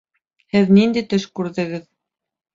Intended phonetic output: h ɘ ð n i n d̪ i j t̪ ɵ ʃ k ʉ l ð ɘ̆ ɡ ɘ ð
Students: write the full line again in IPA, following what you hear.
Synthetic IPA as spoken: h ɘ ð n i n d̪ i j t̪ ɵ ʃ k ʉ ɾ ð ɘ̆ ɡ ɘ ð